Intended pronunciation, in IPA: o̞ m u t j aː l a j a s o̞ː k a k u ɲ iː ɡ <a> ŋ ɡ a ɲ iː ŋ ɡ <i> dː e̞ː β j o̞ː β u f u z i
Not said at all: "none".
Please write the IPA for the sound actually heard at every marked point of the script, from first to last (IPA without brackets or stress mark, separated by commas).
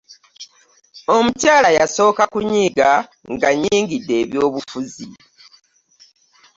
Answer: a, i